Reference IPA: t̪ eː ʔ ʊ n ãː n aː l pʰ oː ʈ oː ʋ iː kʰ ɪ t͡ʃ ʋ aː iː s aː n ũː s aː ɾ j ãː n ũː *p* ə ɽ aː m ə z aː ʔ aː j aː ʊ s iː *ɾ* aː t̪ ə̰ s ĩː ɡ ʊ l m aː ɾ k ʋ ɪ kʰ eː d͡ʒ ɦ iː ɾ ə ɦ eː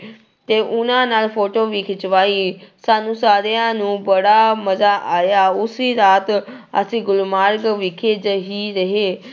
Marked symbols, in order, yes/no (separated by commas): no, yes